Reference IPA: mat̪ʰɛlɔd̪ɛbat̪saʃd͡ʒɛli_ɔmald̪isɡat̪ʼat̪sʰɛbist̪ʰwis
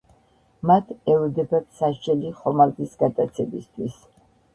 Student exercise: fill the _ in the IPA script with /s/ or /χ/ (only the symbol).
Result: χ